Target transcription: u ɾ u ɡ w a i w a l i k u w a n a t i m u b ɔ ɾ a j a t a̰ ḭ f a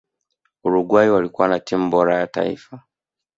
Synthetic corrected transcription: u ɾ u ɡ w a i w a l i k u w a n a t i m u b ɔ ɾ a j a t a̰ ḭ f a